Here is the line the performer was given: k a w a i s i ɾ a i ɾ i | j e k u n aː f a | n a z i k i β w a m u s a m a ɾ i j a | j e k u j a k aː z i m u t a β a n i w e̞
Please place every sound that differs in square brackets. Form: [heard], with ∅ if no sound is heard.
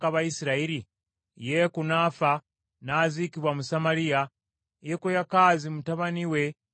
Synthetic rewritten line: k a [β] a i s i ɾ a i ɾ i | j e k u n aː f a | n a z i k i β w a m u s a m a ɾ i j a | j e k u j a k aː z i m u t a β a n i w e̞